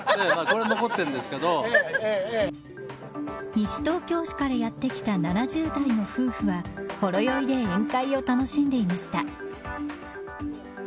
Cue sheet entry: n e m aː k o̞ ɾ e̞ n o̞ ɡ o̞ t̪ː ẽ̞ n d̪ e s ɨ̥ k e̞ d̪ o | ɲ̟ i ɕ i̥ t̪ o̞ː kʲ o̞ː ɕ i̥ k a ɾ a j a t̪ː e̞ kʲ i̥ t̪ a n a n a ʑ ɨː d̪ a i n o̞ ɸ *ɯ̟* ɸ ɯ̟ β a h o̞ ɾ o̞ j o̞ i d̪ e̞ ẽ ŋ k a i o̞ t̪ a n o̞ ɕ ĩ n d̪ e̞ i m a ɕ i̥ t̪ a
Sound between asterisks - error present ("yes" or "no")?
yes